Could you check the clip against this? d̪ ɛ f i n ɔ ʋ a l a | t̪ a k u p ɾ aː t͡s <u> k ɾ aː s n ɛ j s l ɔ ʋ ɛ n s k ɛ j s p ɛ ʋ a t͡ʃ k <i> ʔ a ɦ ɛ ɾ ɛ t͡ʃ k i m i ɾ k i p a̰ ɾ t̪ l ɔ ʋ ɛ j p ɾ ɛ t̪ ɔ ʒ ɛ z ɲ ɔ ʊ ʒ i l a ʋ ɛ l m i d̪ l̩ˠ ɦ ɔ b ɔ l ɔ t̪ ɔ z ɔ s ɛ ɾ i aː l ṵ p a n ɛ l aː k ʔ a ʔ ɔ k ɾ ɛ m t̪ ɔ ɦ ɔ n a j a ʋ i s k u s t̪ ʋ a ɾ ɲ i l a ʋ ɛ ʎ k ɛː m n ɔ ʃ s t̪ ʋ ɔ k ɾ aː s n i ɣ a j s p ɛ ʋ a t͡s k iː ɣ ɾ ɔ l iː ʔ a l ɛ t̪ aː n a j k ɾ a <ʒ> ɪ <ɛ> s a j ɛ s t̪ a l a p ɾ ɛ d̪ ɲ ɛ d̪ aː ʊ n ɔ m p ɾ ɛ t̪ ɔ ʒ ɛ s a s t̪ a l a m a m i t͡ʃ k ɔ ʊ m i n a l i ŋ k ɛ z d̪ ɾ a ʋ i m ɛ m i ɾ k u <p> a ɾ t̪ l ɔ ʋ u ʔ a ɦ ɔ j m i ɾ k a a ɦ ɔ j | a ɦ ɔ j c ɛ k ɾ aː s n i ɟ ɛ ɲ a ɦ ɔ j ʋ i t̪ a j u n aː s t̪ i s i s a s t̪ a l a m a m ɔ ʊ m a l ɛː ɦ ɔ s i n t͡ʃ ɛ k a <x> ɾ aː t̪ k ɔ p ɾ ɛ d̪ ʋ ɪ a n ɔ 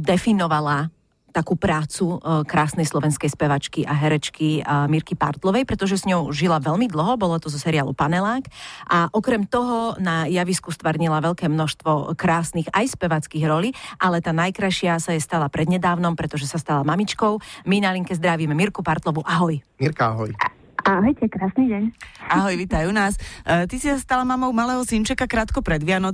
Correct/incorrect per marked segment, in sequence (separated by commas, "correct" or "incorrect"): correct, correct, incorrect, incorrect, correct, incorrect